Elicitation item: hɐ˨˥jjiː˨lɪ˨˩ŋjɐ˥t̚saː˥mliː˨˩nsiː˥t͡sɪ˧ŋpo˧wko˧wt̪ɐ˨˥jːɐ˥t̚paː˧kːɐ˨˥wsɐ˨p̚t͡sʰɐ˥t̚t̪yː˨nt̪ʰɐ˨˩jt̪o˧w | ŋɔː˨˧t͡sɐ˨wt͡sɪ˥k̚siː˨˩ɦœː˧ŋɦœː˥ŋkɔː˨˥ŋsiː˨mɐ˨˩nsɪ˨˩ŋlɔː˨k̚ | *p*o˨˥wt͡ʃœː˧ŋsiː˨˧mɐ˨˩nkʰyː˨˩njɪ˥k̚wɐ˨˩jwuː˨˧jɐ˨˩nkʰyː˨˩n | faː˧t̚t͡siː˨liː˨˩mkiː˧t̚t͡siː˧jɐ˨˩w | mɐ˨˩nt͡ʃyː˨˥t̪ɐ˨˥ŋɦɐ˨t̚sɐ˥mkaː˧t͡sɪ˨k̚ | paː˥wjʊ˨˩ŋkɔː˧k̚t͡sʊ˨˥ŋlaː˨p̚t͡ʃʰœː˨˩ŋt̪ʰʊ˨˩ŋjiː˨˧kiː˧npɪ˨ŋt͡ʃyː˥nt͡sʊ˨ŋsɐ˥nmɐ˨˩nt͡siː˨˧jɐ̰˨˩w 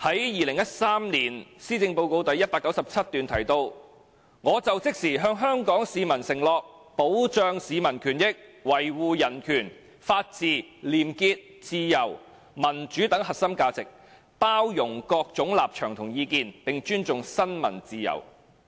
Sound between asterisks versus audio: correct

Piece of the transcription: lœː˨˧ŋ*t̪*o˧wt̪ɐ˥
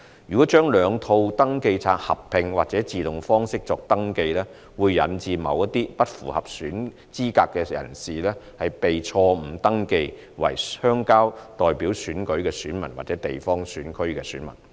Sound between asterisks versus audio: incorrect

